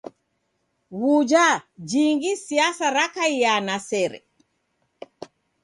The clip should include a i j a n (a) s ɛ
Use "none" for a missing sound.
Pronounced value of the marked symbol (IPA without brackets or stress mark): a